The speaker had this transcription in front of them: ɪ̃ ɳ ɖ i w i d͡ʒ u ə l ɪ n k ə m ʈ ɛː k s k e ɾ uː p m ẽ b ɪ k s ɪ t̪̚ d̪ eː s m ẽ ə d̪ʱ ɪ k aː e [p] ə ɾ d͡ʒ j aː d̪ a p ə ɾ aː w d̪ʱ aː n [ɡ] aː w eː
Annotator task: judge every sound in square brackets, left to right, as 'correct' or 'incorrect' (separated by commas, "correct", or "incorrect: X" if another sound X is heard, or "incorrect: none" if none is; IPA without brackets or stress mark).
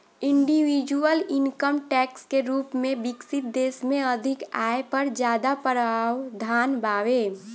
correct, incorrect: b